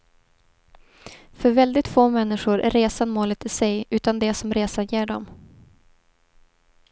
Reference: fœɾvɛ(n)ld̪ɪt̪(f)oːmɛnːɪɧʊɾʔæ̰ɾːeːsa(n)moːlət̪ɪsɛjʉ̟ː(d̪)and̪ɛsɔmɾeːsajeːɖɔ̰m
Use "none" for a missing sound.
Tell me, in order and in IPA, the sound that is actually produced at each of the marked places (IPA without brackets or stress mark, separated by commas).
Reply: none, f, n, t̪